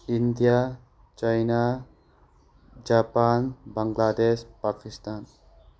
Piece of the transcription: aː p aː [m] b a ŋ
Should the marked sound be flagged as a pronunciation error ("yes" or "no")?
yes